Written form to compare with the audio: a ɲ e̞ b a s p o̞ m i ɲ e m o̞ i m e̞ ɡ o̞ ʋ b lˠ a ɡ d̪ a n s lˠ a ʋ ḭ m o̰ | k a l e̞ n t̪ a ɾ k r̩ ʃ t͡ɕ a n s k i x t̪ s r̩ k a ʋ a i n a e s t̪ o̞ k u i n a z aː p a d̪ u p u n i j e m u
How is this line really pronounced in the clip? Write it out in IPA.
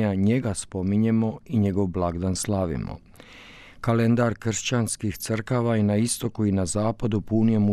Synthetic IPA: a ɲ e̞ ɡ a s p o̞ m i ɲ e m o̞ i ɲ e̞ ɡ o̞ ʋ b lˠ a ɡ d̪ a n s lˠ a ʋ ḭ m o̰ | k a l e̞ n d̪ a ɾ k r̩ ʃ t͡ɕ a n s k i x t̪ s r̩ k a ʋ a i n a i s t̪ o̞ k u i n a z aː p a d̪ u p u n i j e m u